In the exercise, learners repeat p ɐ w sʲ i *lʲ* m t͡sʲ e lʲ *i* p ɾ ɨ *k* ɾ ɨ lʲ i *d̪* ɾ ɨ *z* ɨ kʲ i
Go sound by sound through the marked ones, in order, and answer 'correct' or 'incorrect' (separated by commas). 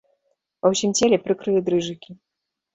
incorrect, incorrect, correct, correct, incorrect